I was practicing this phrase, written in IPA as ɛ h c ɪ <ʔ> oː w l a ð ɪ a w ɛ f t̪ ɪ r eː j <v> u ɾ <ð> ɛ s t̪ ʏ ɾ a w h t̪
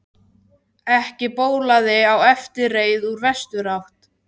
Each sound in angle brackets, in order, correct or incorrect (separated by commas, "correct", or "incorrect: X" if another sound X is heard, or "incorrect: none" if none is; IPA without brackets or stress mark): incorrect: p, incorrect: ð, incorrect: v